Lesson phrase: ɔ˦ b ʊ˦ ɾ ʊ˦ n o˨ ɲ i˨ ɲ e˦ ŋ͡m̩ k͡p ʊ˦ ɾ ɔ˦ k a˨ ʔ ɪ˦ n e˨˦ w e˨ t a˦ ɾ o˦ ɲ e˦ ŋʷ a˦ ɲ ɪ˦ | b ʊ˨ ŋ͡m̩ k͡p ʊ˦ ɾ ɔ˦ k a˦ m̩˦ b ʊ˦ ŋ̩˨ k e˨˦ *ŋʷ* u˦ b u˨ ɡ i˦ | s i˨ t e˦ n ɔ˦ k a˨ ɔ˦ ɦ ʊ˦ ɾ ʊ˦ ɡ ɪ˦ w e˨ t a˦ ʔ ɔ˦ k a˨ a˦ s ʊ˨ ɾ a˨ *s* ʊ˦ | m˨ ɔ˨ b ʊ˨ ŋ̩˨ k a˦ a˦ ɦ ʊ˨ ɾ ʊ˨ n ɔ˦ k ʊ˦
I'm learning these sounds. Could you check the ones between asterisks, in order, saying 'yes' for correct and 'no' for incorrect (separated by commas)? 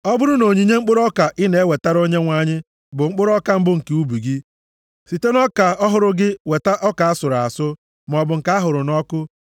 no, yes